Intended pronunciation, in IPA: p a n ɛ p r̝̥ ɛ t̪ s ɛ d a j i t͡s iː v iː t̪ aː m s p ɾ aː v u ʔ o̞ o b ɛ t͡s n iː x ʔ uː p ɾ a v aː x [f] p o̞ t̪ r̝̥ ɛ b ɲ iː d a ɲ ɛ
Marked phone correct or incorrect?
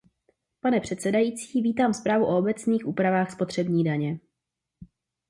incorrect: s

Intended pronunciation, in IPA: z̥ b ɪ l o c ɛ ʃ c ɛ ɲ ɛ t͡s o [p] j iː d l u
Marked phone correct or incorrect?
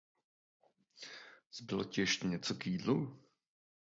incorrect: k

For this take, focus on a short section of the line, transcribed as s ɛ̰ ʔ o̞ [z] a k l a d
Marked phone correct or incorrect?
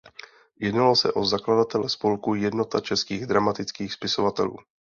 correct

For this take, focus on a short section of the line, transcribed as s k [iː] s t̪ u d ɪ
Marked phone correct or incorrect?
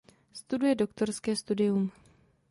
incorrect: ɛː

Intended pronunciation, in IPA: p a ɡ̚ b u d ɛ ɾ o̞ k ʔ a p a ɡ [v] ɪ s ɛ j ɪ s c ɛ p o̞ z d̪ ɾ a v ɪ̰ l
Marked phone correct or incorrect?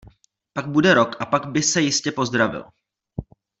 incorrect: b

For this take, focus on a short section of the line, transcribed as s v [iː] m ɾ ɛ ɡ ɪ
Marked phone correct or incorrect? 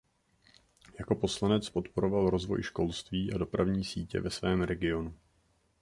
incorrect: ɛː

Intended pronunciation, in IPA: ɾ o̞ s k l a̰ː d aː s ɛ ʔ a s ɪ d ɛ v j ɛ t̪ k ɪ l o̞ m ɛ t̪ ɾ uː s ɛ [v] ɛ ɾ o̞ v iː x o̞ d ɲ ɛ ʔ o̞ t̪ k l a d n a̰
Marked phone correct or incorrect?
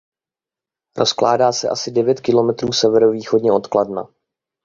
correct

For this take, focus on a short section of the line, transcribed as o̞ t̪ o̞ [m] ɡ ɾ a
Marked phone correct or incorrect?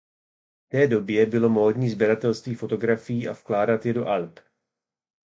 incorrect: none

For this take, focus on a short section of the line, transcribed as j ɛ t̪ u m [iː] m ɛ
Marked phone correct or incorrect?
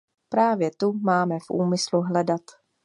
incorrect: aː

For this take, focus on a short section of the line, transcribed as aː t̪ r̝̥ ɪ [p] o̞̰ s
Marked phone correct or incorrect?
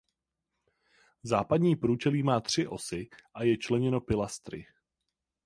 incorrect: ʔ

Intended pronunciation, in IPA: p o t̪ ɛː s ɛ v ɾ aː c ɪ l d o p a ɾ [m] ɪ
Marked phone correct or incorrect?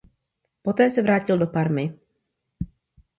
correct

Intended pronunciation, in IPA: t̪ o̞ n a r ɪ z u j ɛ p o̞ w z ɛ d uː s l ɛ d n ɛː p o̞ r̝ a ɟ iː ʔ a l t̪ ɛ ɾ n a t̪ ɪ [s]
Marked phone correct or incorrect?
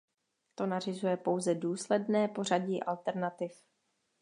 incorrect: f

